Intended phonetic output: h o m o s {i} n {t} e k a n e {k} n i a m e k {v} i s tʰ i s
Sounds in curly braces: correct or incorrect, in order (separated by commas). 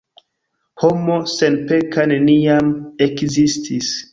incorrect, incorrect, incorrect, incorrect